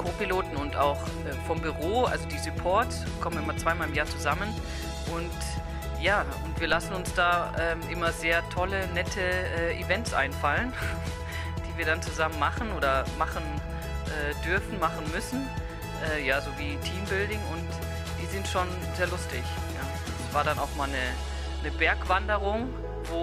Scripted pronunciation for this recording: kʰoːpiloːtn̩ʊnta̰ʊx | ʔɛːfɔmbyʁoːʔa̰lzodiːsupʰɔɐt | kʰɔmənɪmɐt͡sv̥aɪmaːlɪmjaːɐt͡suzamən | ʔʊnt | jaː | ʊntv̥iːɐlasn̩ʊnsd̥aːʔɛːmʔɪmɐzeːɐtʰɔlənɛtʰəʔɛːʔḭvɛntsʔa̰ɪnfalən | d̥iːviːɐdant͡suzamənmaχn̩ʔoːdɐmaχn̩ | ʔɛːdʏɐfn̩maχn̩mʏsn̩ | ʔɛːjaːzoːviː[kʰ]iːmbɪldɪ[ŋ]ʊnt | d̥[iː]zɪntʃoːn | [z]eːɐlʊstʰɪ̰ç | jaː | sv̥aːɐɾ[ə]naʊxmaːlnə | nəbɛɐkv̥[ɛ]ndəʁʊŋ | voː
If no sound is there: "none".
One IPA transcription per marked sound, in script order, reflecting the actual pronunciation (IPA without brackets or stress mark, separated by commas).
tʰ, ŋ, iː, z, a, a